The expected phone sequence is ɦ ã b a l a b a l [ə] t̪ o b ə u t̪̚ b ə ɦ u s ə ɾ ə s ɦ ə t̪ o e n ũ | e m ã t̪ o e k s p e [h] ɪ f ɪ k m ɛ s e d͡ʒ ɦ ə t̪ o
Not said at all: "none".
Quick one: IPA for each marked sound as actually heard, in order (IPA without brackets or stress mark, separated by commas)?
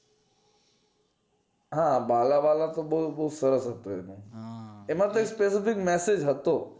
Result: a, s